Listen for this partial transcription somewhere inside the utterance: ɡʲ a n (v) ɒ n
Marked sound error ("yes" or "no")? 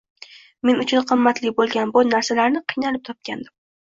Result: yes